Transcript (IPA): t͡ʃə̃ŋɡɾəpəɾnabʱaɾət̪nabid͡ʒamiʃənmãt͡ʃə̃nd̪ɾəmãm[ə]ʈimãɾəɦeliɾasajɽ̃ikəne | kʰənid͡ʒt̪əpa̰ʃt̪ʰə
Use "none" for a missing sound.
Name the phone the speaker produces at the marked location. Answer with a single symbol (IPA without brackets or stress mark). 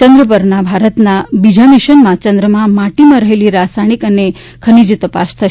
a